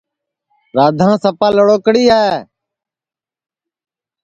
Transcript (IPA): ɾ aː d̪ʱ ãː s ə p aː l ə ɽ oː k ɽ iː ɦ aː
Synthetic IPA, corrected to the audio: ɾ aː d̪ʱ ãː s ə p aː l ə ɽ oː k ɽ iː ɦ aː